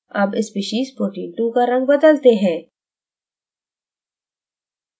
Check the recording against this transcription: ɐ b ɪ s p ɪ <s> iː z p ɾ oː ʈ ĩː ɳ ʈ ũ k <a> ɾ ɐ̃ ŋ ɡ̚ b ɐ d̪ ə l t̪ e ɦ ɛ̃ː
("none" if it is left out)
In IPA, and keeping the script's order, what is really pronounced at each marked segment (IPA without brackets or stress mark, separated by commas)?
ʃ, a